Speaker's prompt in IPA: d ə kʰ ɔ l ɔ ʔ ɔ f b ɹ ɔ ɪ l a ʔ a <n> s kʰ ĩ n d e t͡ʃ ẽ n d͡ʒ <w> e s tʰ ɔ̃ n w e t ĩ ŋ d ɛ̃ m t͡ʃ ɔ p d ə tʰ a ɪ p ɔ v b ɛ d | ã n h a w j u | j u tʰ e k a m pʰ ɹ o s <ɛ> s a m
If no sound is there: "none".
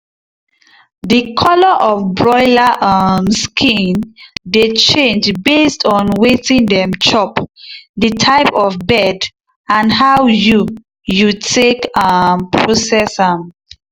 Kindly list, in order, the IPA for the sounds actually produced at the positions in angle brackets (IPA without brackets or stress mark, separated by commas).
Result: m, b, ɛ